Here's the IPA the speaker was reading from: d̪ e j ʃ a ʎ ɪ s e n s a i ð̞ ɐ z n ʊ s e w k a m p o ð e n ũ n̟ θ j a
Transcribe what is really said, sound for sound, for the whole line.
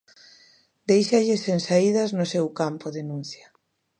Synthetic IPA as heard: d̪ e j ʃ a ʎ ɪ s e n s a i ð̞ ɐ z n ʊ s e w k a m p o ð e n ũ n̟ θ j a